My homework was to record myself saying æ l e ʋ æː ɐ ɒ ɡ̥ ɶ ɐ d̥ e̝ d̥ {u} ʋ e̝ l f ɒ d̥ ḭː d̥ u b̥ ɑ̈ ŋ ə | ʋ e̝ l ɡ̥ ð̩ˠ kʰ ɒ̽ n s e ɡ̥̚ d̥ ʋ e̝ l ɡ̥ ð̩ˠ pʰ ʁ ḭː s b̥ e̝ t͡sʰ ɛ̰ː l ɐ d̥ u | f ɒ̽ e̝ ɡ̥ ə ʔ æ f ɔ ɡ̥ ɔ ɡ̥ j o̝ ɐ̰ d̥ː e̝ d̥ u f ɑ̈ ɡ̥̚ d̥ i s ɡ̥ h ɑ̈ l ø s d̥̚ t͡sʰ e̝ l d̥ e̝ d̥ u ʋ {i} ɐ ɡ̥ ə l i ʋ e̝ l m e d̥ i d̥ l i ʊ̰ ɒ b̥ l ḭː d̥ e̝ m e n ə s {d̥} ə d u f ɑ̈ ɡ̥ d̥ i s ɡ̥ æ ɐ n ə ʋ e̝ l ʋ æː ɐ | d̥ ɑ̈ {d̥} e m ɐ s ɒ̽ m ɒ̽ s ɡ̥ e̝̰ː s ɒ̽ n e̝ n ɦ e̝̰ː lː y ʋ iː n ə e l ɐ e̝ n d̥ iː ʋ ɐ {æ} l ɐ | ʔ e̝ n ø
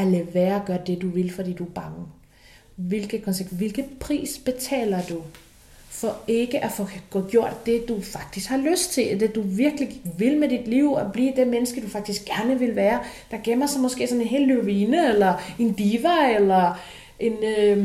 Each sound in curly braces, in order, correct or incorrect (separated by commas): correct, correct, incorrect, incorrect, incorrect